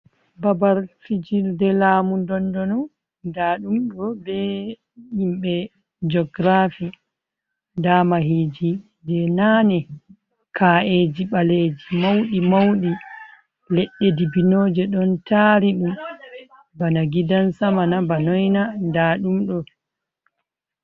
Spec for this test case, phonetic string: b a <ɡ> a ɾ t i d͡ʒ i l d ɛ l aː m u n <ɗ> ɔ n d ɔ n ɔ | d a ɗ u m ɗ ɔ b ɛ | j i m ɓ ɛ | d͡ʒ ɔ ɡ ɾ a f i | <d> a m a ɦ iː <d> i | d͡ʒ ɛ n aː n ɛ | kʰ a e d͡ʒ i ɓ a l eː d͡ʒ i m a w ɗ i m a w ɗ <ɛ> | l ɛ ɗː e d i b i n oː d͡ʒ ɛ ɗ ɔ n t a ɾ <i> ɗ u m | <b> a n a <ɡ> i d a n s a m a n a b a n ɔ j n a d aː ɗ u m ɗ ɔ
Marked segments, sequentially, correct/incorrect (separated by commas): incorrect, incorrect, correct, incorrect, incorrect, correct, correct, correct